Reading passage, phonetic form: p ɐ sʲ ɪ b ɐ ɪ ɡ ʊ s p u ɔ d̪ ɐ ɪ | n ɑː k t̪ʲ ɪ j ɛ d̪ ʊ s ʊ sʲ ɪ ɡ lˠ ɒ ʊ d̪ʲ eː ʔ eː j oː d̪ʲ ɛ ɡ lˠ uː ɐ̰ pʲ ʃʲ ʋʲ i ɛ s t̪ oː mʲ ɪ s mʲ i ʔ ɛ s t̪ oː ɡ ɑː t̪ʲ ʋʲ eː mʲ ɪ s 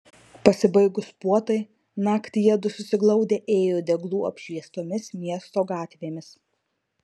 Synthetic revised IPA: p ɐ sʲ ɪ b ɐ ɪ ɡ ʊ s p u ɔ t̪ ɐ ɪ | n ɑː k t̪ʲ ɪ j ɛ d̪ ʊ s ʊ sʲ ɪ ɡ lˠ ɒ ʊ d̪ʲ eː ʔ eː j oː d̪ʲ ɛ ɡ lˠ uː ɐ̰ pʲ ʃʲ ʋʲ i ɛ s t̪ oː mʲ ɪ s mʲ i ɛ s t̪ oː ɡ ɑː t̪ʲ ʋʲ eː mʲ ɪ s